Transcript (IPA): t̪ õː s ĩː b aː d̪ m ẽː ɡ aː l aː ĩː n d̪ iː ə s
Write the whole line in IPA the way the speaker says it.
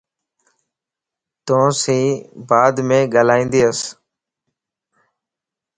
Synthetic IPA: t̪ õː s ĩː b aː d̪ m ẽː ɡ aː l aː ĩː n d̪ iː ə s